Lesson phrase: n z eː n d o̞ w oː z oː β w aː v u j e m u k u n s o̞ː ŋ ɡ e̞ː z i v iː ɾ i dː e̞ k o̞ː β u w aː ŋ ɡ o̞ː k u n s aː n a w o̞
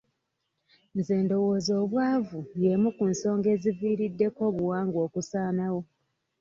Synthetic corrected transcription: n z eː n d o̞ w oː z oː β w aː v u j e m u k u n s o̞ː ŋ ɡ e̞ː z i v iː ɾ i dː e̞ k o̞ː β u w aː ŋ ɡ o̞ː k u s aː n a w o̞